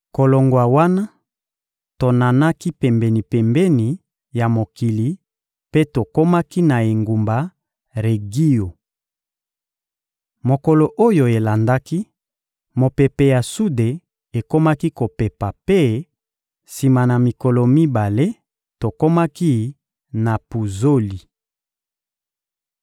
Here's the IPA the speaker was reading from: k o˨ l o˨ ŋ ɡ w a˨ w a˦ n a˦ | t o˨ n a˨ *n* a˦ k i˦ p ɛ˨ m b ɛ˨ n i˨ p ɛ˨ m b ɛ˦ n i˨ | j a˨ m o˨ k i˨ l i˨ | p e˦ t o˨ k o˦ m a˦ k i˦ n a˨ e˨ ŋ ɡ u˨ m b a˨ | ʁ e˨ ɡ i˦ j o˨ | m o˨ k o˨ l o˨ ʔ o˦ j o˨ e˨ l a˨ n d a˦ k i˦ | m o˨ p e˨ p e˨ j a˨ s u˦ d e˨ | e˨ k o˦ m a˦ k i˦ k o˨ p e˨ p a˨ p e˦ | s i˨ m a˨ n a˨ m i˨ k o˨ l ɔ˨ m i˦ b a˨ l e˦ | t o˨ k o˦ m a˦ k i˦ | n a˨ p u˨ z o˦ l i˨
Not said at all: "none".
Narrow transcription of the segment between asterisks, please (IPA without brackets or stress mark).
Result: n